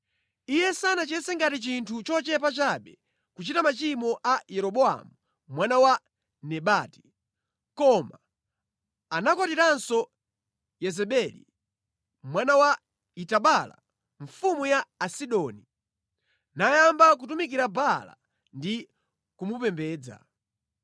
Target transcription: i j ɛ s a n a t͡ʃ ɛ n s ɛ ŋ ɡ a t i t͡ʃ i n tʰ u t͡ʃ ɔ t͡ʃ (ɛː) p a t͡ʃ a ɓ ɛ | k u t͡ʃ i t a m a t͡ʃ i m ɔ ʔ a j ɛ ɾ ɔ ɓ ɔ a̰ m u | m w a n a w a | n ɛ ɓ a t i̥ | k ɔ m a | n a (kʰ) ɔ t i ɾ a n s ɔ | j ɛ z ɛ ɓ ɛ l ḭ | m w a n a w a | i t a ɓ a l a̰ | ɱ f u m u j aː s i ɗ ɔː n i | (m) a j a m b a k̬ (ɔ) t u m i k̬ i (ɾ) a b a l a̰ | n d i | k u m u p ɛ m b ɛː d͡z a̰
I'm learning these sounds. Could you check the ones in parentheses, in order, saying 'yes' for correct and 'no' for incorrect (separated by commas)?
no, no, no, no, yes